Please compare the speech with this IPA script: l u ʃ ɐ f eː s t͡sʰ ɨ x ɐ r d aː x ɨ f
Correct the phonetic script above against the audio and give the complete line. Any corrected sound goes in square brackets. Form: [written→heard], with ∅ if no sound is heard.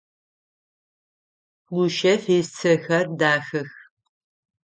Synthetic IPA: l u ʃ ɐ f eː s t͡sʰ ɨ x ɐ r d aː x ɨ [f→x]